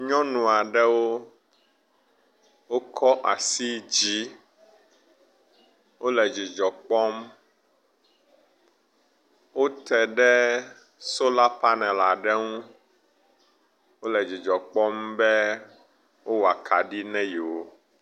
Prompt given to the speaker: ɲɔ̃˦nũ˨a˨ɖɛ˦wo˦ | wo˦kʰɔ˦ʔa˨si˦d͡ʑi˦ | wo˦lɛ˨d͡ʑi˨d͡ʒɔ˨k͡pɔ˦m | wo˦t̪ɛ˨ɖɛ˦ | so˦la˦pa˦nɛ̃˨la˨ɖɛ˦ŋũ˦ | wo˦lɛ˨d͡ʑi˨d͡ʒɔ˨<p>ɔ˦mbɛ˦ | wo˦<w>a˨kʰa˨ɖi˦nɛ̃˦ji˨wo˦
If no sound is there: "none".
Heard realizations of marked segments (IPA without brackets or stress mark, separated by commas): k͡p, w